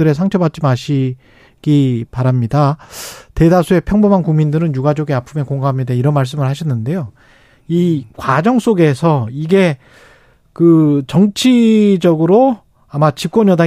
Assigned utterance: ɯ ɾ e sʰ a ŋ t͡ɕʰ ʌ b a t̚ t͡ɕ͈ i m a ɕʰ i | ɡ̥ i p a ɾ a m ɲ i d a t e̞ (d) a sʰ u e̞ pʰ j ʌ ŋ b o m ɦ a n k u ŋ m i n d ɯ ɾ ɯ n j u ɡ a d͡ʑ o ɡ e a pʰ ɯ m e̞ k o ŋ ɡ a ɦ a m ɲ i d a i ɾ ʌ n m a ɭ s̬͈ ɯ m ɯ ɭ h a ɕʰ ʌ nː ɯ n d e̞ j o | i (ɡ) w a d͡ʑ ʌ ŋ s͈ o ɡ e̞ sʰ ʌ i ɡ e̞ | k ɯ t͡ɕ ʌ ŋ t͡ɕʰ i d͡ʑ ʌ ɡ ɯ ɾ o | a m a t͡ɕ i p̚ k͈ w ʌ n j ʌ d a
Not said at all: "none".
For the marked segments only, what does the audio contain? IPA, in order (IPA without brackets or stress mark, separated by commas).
d, k